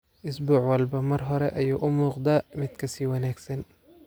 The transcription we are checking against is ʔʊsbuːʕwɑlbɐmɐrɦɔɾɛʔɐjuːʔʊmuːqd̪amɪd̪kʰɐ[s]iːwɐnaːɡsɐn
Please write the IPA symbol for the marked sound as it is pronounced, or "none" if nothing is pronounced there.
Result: s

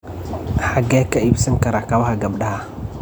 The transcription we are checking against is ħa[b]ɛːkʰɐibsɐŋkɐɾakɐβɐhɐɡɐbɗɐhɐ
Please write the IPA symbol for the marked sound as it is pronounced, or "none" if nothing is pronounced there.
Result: ɡ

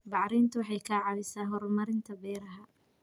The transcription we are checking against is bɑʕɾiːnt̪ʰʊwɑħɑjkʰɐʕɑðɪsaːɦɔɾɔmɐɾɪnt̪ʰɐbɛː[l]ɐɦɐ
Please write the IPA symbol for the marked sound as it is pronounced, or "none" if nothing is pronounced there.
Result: ɾ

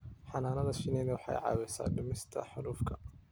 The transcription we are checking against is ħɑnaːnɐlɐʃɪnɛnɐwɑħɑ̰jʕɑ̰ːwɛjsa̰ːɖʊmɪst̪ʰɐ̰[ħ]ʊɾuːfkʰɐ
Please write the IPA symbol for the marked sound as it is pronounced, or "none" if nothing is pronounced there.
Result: ħ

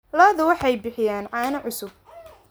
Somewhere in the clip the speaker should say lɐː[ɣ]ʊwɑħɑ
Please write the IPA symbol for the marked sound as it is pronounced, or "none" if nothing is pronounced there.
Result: ð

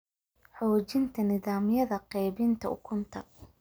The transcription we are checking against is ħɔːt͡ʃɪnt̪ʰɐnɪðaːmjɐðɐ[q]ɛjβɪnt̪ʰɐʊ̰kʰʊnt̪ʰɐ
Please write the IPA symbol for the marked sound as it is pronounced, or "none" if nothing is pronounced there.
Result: q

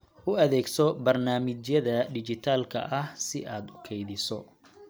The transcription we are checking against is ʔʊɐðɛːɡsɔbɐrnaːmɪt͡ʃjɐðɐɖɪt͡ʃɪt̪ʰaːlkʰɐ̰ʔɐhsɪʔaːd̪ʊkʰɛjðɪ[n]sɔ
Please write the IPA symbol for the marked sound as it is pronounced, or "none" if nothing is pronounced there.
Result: none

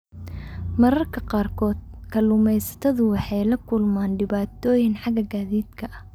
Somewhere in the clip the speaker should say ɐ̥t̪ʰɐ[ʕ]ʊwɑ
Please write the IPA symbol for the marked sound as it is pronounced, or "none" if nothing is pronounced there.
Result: ð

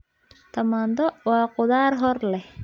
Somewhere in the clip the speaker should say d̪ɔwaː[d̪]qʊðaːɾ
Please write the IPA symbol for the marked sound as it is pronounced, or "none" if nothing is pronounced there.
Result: none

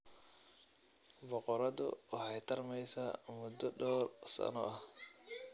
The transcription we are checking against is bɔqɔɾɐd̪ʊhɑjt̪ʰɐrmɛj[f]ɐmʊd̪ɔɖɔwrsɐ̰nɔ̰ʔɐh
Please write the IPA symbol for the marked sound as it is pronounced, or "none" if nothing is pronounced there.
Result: s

